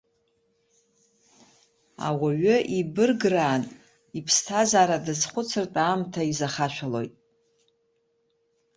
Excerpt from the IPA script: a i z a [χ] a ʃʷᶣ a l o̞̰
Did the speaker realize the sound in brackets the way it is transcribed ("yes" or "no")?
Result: yes